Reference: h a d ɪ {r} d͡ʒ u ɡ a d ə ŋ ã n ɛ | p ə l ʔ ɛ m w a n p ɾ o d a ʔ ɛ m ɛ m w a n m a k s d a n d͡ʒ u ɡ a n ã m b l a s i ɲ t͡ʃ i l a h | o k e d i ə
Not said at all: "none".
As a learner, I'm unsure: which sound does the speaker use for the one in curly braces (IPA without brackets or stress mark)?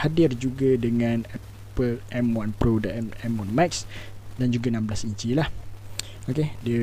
r